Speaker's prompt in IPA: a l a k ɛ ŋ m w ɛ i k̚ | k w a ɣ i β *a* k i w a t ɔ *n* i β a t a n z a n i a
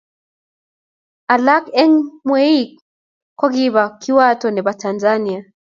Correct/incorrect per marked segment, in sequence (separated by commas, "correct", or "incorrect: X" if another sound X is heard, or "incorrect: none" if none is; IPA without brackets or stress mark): correct, correct